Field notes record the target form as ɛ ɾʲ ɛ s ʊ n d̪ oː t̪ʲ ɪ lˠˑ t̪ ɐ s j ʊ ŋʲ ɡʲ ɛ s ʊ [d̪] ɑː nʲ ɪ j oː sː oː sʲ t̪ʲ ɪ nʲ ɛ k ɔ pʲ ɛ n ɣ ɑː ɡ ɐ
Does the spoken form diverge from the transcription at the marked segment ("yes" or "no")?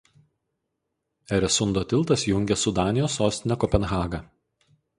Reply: no